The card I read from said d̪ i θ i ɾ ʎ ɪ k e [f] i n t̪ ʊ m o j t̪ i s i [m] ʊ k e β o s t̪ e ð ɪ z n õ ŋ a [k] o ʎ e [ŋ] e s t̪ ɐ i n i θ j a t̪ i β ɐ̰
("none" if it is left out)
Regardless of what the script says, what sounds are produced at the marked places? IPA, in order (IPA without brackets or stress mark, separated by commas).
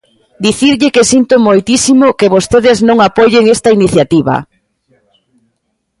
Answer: s, m, p, ŋ